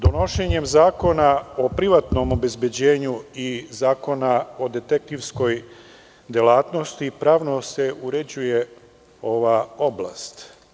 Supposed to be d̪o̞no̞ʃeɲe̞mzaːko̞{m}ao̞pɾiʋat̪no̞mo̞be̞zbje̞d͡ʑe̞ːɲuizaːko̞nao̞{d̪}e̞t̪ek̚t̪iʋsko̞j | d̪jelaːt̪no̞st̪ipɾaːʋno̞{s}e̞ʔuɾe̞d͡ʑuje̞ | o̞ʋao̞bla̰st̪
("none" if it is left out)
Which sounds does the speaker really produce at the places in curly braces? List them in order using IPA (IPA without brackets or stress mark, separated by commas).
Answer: n, d̪, s